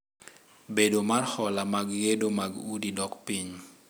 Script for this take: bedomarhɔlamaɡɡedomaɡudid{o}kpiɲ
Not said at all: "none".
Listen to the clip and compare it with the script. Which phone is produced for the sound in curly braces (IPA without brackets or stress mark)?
ɔ